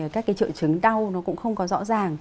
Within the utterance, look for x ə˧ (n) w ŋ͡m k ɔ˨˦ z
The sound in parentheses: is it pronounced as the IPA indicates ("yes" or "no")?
no